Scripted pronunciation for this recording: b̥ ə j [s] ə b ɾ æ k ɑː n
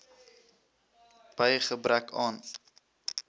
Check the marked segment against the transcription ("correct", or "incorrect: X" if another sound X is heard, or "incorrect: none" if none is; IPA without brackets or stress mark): incorrect: χ